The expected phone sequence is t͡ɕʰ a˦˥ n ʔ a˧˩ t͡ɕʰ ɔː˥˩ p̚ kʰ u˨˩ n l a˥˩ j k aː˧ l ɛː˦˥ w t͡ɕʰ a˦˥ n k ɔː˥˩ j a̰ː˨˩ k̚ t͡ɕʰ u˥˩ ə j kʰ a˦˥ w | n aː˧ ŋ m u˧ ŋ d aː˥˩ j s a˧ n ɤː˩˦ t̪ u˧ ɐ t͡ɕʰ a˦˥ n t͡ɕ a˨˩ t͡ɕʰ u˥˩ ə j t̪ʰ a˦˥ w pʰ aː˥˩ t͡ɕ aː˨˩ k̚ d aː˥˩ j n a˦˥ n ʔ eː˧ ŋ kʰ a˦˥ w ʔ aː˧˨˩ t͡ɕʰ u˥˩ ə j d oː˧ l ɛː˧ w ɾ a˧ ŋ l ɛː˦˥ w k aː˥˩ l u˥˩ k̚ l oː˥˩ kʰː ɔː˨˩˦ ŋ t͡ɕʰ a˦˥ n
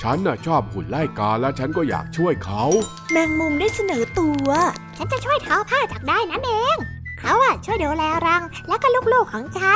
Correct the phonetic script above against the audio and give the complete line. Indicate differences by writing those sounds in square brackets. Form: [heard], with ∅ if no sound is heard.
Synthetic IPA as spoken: t͡ɕʰ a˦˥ n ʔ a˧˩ t͡ɕʰ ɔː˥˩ p̚ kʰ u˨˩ n l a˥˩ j k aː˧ l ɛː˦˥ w t͡ɕʰ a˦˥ n k ɔː˥˩ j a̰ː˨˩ k̚ t͡ɕʰ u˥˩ ə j kʰ a˦˥ w | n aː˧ ŋ m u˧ ŋ d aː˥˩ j s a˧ n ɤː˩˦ t̪ u˧ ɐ t͡ɕʰ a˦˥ n t͡ɕ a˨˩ t͡ɕʰ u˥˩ ə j t̪ʰ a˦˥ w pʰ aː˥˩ t͡ɕ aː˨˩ k̚ d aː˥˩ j n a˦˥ n ʔ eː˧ ŋ kʰ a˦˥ w ʔ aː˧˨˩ t͡ɕʰ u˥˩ ə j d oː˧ l ɛː˧ w ɾ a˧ ŋ l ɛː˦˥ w k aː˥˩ l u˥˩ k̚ l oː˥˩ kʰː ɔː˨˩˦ ŋ t͡ɕʰ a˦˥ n